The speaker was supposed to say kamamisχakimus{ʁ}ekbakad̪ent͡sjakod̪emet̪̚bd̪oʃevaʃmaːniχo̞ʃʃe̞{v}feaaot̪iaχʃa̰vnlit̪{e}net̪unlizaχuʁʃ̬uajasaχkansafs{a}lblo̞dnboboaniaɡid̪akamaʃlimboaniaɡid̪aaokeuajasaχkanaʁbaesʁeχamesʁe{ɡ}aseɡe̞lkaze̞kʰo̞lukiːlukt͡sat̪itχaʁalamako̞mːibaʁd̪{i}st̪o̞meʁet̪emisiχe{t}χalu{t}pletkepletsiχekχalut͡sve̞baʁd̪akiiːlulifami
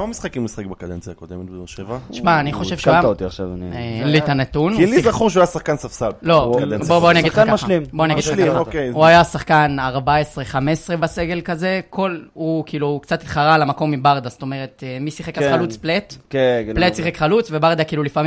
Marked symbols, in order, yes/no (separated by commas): no, yes, no, yes, no, no, no, no